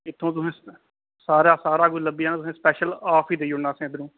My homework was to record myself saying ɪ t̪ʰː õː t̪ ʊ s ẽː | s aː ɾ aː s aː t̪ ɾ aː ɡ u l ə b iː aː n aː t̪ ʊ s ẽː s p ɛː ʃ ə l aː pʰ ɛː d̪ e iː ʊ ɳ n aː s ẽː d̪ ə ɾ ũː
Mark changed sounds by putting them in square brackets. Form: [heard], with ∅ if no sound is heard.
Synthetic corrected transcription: ɪ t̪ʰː õː t̪ ʊ s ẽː | s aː ɾ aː s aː [∅] ɾ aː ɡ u l ə b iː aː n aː t̪ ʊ s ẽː s p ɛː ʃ ə l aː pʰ [iː] d̪ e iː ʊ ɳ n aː s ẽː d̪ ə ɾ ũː